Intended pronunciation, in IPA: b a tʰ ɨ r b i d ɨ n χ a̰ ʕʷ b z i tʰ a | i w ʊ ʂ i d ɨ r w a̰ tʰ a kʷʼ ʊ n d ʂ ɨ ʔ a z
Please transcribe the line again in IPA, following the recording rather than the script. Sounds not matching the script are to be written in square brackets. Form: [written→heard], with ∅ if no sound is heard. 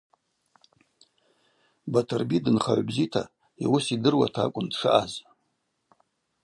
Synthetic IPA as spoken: b a tʰ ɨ r b i d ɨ n χ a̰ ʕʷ b z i tʰ a | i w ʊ [ʂ→s] i d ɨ r w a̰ tʰ a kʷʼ ʊ n d ʂ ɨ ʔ a z